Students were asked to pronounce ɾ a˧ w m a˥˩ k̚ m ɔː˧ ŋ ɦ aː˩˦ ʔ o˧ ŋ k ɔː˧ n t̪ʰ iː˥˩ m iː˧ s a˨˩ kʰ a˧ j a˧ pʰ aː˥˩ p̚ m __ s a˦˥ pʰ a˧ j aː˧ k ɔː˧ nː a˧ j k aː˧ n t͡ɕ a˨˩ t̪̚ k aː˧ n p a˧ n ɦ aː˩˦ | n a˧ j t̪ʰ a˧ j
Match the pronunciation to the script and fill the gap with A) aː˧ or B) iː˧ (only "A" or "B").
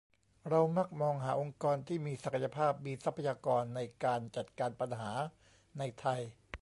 B